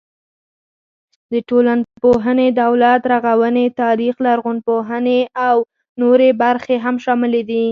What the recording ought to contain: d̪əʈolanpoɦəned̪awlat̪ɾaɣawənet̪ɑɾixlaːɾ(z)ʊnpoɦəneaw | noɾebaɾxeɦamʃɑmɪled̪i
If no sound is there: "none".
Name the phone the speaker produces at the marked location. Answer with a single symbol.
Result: ɣ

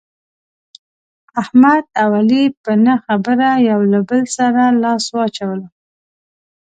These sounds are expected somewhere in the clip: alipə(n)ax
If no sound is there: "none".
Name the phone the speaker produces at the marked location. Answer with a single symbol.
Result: n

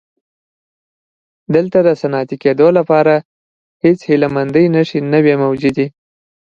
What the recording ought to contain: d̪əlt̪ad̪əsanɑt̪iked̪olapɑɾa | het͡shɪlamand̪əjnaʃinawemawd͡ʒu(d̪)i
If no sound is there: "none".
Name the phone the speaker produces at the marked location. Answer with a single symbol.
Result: d̪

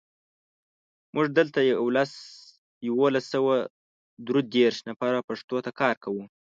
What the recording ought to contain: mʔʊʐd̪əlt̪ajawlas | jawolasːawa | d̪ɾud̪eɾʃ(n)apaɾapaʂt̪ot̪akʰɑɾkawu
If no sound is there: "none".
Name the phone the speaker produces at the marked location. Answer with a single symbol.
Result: n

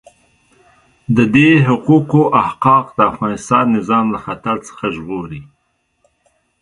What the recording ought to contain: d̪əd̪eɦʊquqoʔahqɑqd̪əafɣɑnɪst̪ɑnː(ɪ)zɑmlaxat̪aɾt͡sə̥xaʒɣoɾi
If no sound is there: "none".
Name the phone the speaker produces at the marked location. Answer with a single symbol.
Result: ɪ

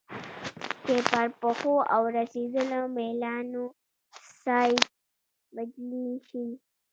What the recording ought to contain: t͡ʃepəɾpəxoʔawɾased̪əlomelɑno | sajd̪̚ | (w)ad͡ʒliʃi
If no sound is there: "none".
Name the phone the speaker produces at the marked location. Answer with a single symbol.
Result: b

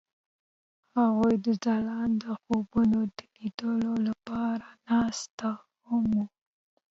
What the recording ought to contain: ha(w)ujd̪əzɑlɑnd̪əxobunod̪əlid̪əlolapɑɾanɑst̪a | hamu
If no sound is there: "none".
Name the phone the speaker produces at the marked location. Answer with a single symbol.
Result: ɣ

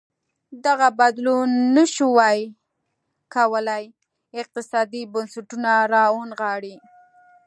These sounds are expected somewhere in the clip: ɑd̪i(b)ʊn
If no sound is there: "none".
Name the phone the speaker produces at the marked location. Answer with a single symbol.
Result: b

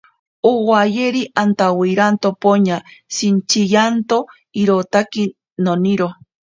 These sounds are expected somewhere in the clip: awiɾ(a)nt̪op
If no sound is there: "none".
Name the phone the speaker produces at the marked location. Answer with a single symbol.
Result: a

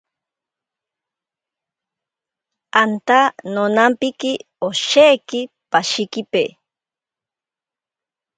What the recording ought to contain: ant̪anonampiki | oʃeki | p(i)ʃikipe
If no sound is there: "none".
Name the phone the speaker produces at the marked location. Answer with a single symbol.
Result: a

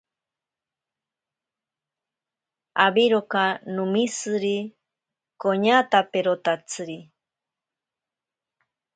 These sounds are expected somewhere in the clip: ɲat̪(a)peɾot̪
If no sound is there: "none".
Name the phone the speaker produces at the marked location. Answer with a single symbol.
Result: a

